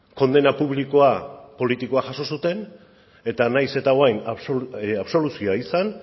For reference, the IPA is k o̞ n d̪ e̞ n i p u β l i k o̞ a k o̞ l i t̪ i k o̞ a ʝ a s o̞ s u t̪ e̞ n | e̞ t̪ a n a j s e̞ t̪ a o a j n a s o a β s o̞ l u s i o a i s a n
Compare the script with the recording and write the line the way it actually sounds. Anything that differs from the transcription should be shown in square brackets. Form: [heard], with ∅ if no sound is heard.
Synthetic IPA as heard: k o̞ n d̪ e̞ n [a] p u β l i k o̞ a [p] o̞ l i t̪ i k o̞ a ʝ a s o̞ s u t̪ e̞ n | e̞ t̪ a n a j s e̞ t̪ a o a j n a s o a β s o̞ l u s i o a i s a n